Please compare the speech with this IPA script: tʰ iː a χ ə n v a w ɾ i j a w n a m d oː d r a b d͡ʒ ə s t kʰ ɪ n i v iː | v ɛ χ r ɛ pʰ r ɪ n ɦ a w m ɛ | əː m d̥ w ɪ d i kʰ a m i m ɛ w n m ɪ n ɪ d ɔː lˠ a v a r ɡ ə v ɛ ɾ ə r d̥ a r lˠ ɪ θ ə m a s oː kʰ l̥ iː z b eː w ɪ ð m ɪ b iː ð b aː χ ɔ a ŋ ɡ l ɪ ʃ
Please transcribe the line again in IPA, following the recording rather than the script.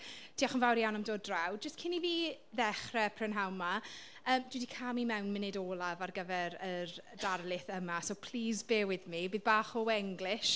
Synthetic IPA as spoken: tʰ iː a χ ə n v a w ɾ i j a w n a m d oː d r a w d͡ʒ ə s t kʰ ɪ n i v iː | ð ɛ χ r ɛ pʰ r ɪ n ɦ a w m a | əː m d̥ w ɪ d i kʰ a m i m ɛ w n m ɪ n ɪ d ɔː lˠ a v a r ɡ ə v ɛ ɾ ə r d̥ a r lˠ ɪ θ ə m a s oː pʰ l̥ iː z b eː w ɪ ð m i b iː ð b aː χ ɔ ɛ ŋ ɡ l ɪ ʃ

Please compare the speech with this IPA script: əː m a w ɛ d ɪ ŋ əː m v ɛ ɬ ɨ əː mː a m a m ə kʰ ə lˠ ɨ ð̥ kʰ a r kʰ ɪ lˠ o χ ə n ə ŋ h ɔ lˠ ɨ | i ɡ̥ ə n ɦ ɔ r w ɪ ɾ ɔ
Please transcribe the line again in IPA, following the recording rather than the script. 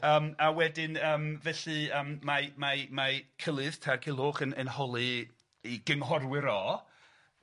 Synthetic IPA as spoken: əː m a w ɛ d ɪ n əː m v ɛ ɬ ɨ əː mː a m a m a kʰ ə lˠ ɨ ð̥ tʰ a r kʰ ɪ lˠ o χ ə n ə n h ɔ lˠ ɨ | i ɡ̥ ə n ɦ ɔ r w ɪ ɾ ɔ

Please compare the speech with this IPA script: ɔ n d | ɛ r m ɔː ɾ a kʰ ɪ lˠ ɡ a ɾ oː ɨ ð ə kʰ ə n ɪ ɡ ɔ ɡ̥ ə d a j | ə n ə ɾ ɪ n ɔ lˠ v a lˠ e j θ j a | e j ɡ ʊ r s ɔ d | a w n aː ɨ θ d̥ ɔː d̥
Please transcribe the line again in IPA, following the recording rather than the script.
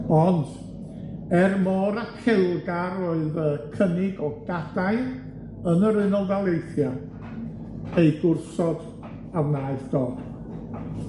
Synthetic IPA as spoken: ɔ n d | ɛ r m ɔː ɾ a kʰ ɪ lˠ ɡ a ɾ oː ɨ ð ə kʰ ə n ɪ ɡ ɔ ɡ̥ a d a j | ə n ə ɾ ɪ n ɔ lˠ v a lˠ e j θ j a | e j ɡ ʊ r s ɔ d | a w n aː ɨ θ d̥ ɔː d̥

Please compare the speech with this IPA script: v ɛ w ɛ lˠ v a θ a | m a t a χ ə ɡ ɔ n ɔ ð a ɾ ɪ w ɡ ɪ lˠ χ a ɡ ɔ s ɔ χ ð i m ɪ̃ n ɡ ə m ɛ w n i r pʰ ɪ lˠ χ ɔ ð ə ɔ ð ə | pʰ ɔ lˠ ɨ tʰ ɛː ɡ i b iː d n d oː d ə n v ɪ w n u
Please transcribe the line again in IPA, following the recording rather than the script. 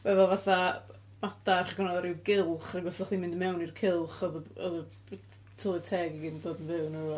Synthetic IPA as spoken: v ɛ v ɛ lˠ v a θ a | m a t a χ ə ɡ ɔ n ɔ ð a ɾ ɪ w ɡ ɪ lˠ χ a ɡ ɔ s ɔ χ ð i m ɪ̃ n d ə m ɛ w n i r kʰ ɪ lˠ χ ɔ ð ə ɔ ð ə | tʰ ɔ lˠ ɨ tʰ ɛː ɡ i ɡ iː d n d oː d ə n v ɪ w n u

